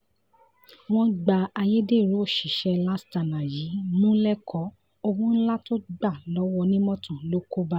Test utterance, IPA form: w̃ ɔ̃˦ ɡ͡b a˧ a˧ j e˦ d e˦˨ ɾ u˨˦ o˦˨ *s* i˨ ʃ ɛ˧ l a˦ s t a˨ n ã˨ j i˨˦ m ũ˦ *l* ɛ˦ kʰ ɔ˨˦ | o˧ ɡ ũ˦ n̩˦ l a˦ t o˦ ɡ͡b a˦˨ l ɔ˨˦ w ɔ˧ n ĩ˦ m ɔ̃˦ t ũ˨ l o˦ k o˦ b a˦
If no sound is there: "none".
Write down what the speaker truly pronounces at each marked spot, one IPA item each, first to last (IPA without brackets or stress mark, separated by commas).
ʃ, l